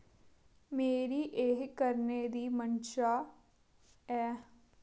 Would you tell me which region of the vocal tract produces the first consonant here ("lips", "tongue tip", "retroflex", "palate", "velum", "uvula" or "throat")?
lips